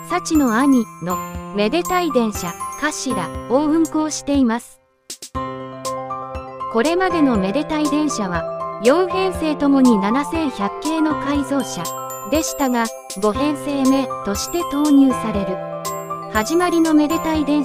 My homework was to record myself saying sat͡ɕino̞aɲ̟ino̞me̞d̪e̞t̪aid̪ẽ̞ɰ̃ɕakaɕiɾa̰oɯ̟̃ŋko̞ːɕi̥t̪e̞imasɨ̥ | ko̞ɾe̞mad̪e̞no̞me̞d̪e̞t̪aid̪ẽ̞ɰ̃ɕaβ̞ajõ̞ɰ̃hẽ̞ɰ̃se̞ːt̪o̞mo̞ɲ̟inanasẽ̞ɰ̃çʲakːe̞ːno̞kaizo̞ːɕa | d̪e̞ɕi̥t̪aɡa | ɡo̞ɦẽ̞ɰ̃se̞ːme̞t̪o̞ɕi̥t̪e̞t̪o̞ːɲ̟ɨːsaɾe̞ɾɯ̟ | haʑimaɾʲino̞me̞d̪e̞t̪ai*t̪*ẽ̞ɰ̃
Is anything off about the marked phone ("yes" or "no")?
yes